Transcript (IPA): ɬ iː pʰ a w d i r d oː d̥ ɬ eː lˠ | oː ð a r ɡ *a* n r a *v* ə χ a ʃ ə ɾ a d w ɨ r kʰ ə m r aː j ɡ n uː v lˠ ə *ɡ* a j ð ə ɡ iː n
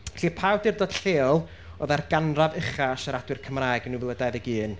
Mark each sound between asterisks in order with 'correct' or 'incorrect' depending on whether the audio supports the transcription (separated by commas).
correct, correct, incorrect